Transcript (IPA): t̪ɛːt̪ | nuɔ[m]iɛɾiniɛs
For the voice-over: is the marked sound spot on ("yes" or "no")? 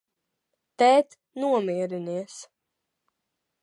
yes